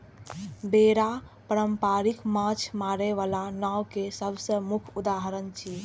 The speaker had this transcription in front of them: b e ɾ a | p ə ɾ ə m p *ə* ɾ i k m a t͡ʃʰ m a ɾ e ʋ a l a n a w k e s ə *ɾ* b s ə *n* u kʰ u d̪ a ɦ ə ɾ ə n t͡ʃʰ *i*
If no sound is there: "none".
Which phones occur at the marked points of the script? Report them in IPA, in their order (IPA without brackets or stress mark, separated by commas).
a, none, m, i